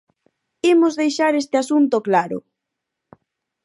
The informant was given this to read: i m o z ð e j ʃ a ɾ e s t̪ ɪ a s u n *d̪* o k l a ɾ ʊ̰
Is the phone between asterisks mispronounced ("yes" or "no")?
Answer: yes